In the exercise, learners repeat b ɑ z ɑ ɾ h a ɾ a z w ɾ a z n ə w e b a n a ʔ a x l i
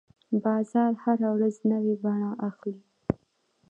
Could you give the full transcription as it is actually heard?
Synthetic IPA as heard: b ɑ z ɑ ɾ h a ɾ a w ɾ a z n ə w e b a ɳ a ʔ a x l i